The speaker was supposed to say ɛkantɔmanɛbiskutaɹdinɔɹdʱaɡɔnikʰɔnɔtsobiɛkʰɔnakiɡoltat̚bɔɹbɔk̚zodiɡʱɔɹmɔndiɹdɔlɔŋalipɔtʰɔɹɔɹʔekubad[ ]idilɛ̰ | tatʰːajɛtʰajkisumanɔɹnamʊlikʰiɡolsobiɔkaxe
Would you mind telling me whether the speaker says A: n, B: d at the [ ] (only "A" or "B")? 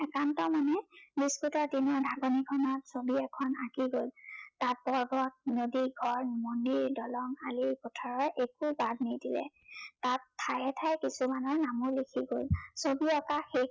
A